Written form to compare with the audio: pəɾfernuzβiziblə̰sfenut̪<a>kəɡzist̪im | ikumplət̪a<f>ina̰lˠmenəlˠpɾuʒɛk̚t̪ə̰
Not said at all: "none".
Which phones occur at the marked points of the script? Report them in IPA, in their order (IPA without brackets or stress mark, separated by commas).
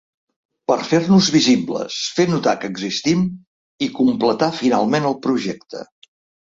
a, f